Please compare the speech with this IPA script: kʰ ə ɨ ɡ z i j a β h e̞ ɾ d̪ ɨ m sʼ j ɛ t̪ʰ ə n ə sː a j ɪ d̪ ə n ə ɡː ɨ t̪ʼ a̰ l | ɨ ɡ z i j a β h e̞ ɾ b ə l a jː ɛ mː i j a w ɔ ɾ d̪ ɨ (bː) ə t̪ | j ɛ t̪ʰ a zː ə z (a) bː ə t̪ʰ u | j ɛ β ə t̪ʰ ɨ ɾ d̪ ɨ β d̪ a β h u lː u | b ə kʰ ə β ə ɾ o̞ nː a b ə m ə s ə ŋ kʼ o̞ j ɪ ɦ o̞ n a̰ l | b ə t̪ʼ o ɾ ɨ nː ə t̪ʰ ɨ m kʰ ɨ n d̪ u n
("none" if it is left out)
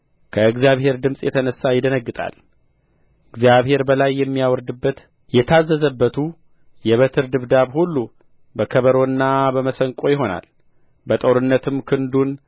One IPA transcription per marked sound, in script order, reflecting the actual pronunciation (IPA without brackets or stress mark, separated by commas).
bː, ə